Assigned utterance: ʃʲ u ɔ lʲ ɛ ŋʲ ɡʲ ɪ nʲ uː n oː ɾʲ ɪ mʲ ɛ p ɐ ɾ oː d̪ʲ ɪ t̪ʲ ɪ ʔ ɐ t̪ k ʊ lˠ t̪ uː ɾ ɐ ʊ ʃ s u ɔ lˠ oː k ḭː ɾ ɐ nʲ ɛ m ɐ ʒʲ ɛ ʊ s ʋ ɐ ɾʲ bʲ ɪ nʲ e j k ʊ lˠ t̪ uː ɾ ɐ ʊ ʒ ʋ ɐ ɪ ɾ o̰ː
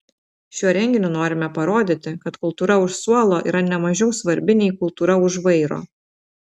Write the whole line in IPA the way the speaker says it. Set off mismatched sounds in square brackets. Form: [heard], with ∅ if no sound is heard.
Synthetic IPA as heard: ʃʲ u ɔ [ɾʲ] ɛ ŋʲ ɡʲ ɪ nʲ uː n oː ɾʲ ɪ mʲ ɛ p ɐ ɾ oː d̪ʲ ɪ t̪ʲ ɪ [k] ɐ t̪ k ʊ lˠ t̪ uː ɾ ɐ ʊ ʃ s u ɔ lˠ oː [ʔ] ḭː ɾ ɐ nʲ ɛ m ɐ ʒʲ ɛ ʊ s ʋ ɐ ɾʲ bʲ ɪ nʲ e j k ʊ lˠ t̪ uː ɾ ɐ ʊ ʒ ʋ ɐ ɪ ɾ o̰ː